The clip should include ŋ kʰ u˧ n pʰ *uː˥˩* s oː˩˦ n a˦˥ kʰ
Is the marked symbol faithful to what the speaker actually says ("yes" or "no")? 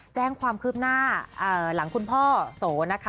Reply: no